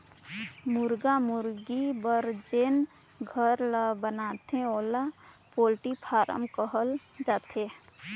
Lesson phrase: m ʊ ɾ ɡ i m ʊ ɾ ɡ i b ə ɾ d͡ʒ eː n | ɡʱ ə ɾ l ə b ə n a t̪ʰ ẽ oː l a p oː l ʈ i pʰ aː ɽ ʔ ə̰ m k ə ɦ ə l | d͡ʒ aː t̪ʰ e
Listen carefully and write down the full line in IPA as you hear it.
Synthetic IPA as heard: m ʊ ɾ ɡ a m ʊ ɾ ɡ i b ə ɾ d͡ʒ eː n | ɡʱ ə ɾ l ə b ə n a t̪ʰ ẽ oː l a p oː l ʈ i pʰ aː ɾ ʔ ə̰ m k ə ɦ ə l | d͡ʒ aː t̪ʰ e